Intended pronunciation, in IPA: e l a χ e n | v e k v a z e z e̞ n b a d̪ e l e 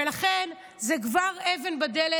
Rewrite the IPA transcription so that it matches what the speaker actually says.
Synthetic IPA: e l a χ e n | z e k v a ʁ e v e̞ n b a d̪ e l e